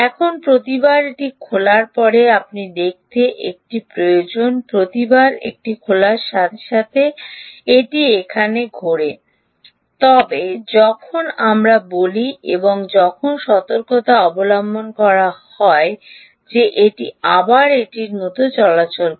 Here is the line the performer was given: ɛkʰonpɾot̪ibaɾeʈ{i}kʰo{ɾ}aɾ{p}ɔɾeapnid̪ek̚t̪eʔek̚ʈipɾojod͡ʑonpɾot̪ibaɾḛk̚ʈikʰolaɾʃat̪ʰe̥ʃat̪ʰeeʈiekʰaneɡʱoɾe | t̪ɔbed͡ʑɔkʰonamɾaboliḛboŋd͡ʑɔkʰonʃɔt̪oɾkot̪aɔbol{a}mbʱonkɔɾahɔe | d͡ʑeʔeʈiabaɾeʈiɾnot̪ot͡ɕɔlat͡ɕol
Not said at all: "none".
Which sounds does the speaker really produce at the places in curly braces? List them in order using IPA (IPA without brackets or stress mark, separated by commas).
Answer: i, l, p, a